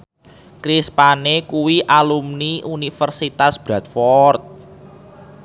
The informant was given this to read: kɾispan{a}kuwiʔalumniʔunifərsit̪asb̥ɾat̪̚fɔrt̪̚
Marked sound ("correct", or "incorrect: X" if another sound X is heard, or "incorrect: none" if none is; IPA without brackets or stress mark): incorrect: e